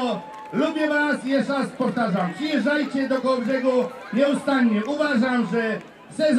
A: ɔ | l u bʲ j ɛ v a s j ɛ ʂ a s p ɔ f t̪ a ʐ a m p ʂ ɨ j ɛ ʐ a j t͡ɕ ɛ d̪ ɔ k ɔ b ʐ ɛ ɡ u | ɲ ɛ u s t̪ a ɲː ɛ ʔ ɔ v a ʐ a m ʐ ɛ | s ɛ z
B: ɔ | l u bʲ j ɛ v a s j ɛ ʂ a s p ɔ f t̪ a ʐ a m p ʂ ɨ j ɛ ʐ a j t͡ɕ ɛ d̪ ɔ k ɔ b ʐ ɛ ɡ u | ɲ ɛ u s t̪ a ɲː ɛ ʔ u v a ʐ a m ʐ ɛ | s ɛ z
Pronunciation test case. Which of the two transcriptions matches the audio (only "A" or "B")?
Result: B